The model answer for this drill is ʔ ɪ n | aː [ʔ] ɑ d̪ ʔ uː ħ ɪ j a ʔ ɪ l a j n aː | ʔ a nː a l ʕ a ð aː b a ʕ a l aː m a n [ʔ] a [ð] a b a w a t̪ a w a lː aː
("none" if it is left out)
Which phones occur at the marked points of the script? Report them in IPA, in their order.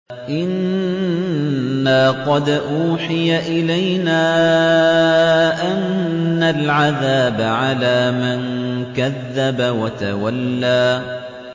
q, k, ðː

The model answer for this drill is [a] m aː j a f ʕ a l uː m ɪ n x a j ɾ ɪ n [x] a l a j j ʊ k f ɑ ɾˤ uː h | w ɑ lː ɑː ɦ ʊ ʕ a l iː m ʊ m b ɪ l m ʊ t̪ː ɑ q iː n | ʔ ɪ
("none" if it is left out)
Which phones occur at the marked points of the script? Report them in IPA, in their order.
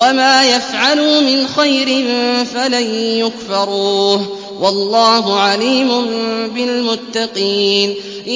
a, f

